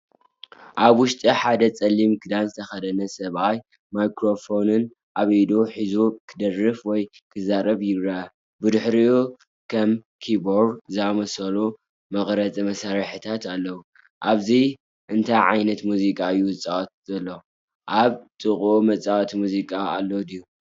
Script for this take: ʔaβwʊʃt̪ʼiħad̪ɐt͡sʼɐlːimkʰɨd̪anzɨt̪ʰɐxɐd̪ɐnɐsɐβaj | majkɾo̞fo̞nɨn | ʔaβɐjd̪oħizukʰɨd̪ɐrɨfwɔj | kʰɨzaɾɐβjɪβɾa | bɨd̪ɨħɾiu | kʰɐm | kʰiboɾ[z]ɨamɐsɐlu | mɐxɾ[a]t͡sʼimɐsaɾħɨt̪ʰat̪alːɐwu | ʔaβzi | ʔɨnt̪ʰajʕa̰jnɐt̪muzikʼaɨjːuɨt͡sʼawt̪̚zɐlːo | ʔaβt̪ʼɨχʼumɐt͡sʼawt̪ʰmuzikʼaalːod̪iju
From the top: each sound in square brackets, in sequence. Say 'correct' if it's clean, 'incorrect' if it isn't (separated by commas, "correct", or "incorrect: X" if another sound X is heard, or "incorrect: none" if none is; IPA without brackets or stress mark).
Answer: correct, incorrect: ɐ